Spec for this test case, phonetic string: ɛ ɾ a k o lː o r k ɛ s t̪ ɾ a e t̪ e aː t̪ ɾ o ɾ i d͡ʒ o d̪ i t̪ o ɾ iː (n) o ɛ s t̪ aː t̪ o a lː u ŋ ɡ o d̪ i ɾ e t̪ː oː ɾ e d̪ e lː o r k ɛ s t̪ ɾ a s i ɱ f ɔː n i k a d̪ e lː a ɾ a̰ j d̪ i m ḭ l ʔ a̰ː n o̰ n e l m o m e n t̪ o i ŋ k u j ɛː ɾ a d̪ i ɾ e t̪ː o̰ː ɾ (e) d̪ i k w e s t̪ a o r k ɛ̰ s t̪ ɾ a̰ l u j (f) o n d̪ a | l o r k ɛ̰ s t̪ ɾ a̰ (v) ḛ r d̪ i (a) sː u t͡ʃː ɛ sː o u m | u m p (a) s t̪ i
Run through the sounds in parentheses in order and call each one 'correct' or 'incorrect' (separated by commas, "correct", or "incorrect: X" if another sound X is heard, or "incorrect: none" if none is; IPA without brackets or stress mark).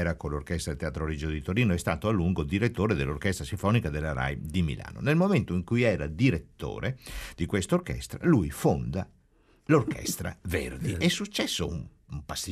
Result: correct, correct, correct, correct, incorrect: ɛ, correct